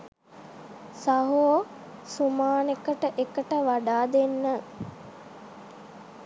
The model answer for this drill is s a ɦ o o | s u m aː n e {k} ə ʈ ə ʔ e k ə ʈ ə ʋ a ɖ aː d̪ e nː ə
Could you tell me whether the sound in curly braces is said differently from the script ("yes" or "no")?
no